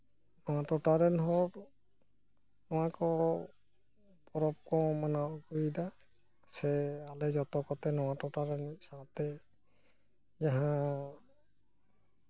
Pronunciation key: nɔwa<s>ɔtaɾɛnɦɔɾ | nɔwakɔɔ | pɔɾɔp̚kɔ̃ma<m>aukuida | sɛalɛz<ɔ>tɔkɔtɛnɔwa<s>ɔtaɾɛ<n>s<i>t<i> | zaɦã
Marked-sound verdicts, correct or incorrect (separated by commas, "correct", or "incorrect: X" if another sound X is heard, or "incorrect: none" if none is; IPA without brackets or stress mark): incorrect: t, incorrect: n, correct, incorrect: t, correct, incorrect: a, incorrect: ɛ